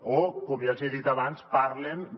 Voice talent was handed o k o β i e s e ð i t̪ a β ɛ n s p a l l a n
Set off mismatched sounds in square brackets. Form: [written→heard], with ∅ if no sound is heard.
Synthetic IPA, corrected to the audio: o k o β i [e→a] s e ð i t̪ a β [ɛ→a] n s p a [l→ɾ] l [a→e] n

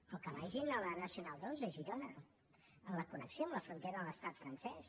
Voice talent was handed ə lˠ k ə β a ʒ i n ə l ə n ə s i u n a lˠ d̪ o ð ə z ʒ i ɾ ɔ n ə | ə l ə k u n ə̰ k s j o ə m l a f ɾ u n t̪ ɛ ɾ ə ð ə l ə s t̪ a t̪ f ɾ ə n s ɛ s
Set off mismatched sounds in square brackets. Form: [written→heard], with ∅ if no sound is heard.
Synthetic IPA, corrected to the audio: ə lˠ k ə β a ʒ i n ə l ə n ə s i u n a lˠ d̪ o [ð→z] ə [z→∅] ʒ i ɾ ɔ n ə | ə l ə k u n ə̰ k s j o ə m l [a→ə] f ɾ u n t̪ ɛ ɾ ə ð ə l ə s t̪ a t̪ f ɾ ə n s ɛ s

